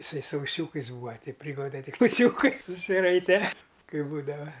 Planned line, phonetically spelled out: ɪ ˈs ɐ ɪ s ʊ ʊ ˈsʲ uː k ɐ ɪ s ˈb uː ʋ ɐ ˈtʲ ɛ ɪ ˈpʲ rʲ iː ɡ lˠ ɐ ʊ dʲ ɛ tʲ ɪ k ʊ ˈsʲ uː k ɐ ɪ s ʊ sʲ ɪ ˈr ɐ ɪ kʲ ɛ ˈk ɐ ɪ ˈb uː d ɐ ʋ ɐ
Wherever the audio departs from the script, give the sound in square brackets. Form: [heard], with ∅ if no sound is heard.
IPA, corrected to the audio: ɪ ˈs ɐ ɪ s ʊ ʊ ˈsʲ uː k ɐ ɪ s ˈb uː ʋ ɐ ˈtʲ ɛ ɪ ˈpʲ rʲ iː ɡ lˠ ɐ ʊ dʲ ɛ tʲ ɪ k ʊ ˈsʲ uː k ɐ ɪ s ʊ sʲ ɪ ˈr ɐ ɪ [tʲ] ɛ ˈk ɐ ɪ ˈb uː d ɐ ʋ ɐ